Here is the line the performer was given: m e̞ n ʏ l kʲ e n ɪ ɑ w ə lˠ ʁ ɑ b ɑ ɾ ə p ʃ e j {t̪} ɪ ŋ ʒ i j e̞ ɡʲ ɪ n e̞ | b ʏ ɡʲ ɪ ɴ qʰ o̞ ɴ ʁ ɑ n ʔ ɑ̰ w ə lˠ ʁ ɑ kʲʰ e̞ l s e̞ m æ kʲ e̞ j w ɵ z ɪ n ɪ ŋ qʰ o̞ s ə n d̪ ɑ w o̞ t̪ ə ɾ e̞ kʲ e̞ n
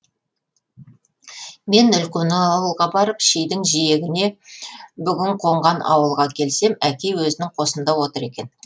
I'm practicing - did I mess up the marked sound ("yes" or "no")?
yes